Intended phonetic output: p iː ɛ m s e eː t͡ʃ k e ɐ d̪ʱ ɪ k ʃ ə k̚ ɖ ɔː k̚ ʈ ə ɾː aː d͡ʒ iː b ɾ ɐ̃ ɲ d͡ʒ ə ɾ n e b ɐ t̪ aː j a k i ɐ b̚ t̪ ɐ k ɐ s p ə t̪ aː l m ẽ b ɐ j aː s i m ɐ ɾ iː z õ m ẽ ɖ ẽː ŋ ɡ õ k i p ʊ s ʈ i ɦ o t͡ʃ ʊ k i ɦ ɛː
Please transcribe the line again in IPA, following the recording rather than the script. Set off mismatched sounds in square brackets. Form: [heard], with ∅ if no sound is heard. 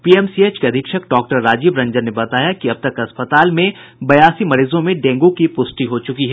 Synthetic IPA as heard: p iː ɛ m s [i] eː t͡ʃ k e ɐ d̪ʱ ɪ k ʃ ə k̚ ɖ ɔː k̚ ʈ ə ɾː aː d͡ʒ iː b ɾ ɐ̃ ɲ d͡ʒ ə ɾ n e b ɐ t̪ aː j a k i ɐ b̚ t̪ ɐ k ɐ s p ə t̪ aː l m ẽ b ɐ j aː s i m ɐ ɾ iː z õ m ẽ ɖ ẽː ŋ ɡ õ k i p ʊ s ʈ i ɦ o t͡ʃ ʊ k i ɦ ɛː

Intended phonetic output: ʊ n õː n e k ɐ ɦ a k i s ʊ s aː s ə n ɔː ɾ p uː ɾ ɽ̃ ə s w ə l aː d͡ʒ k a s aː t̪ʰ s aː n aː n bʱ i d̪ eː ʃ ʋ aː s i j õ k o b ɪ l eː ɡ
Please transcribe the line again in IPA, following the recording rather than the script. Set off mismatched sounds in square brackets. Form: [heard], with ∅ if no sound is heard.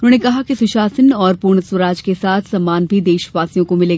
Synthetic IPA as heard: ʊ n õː n e k ɐ ɦ a k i s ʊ [ʃ] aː s ə n ɔː ɾ p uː ɾ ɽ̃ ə s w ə [ɾ] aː d͡ʒ k [e] s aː t̪ʰ s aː [m] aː n bʱ i d̪ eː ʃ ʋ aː s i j õ k o [m] ɪ l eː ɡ

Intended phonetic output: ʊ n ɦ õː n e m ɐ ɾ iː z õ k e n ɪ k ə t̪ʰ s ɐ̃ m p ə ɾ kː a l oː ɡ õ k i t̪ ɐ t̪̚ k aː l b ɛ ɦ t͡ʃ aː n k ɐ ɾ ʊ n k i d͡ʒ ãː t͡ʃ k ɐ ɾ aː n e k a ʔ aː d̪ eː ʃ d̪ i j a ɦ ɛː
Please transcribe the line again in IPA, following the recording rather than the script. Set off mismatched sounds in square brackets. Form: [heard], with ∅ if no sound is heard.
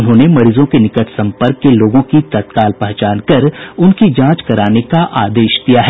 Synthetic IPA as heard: ʊ n ɦ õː n e m ɐ ɾ iː z õ k e n ɪ k ə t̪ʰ s ɐ̃ m p ə ɾ kː [e] l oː ɡ õ k i t̪ ɐ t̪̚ k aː l [p] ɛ ɦ t͡ʃ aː n k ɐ ɾ ʊ n k i d͡ʒ ãː t͡ʃ k ɐ ɾ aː n e k a ʔ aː d̪ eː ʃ d̪ i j a ɦ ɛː

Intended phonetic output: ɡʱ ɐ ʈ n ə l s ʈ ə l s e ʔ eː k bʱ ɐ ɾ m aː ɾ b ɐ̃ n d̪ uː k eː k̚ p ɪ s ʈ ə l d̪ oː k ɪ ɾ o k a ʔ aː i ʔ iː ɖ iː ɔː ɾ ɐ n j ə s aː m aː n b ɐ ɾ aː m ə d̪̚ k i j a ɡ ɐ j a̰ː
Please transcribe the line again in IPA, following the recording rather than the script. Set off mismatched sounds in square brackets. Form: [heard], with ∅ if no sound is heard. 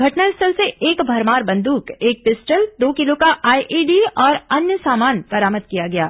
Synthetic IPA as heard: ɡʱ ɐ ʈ n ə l s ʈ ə l s e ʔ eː k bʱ ɐ ɾ m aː ɾ b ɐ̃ n d̪ uː k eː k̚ p ɪ s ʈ ə l d̪ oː k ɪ [l] o k a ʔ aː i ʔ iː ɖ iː ɔː ɾ ɐ n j ə s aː m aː n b ɐ ɾ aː m ə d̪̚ k i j a ɡ ɐ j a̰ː

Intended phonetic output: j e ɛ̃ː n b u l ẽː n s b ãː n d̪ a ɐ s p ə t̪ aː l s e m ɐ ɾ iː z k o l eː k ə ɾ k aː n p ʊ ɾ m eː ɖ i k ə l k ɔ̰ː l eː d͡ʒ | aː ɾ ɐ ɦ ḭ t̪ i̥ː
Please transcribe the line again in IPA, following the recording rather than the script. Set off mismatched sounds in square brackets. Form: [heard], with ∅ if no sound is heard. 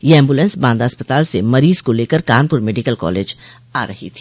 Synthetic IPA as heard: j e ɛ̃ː [m] b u l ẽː n s b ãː n d̪ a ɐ s p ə t̪ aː l s e m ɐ ɾ iː z k o l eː k ə ɾ k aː n p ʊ ɾ m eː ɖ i k ə l k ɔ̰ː l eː d͡ʒ | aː ɾ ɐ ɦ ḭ [t̪ʰ] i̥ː

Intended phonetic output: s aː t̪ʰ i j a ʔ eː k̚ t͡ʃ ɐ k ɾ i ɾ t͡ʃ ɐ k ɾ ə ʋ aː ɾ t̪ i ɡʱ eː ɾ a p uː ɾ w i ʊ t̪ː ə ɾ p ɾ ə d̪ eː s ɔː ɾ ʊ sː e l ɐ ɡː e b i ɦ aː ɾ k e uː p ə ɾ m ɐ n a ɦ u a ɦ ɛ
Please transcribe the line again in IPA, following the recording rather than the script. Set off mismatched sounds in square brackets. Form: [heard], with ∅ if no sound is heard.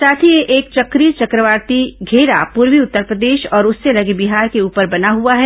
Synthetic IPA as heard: s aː t̪ʰ i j [e] ʔ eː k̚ t͡ʃ ɐ k ɾ i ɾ t͡ʃ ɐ k ɾ ə ʋ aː ɾ t̪ i ɡʱ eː ɾ a p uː ɾ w i ʊ t̪ː ə ɾ p ɾ ə d̪ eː [ʃ] ɔː ɾ ʊ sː e l ɐ [ɡ] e b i ɦ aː ɾ k e uː p ə ɾ [b] ɐ n a ɦ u a ɦ ɛ

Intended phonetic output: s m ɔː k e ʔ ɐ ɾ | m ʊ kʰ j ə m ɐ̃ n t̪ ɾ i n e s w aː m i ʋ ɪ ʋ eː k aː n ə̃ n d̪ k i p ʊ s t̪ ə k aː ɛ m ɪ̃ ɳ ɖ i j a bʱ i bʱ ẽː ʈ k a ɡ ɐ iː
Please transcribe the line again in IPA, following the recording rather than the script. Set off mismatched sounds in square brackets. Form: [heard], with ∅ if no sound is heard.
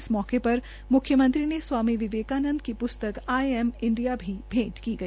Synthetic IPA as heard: s m ɔː k e [p] ɐ ɾ | m ʊ kʰ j ə m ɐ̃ n t̪ ɾ i n e s w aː m i ʋ ɪ ʋ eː k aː n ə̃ n d̪ k i p ʊ s t̪ ə k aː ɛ m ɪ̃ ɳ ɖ i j a bʱ i bʱ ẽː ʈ k [i] ɡ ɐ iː

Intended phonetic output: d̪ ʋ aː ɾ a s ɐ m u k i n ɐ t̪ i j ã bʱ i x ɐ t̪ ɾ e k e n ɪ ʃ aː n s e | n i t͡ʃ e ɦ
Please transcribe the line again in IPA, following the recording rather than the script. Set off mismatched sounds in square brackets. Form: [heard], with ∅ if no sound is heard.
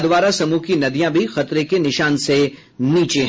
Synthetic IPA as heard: d̪ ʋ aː ɾ a s ɐ m u k i n ɐ [d̪] i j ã bʱ i x ɐ t̪ ɾ e k e n ɪ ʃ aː n s e | n [iː] t͡ʃ e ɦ

